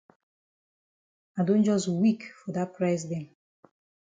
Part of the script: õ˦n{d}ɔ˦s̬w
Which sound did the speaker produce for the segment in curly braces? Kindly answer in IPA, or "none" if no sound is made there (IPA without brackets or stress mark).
d͡ʒ